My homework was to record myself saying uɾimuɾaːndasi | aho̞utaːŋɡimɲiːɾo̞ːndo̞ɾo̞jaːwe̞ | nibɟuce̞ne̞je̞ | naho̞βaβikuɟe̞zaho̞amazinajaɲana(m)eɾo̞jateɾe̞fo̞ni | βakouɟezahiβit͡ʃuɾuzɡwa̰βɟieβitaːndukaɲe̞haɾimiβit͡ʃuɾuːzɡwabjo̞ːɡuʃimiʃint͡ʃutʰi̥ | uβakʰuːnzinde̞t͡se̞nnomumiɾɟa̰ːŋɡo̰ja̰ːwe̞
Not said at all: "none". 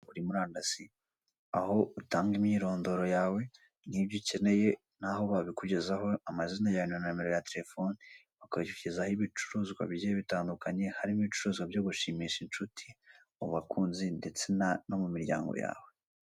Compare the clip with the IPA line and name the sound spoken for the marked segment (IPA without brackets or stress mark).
m